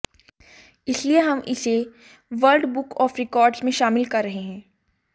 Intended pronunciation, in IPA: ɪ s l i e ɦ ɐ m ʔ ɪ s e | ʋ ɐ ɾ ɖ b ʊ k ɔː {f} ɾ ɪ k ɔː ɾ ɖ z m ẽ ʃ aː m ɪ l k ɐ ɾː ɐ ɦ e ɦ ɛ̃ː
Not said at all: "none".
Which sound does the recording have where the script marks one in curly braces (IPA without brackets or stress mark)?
f